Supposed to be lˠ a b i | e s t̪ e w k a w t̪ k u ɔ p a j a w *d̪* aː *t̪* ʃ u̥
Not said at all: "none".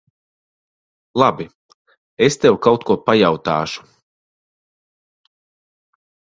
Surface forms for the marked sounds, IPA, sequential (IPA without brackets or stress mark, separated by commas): t̪, none